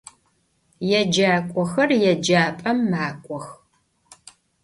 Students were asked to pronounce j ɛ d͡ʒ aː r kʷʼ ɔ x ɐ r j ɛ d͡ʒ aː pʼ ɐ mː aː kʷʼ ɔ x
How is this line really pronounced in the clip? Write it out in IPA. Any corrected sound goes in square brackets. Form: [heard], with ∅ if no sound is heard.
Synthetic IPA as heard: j ɛ d͡ʒ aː [∅] kʷʼ ɔ x ɐ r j ɛ d͡ʒ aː pʼ ɐ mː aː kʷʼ ɔ x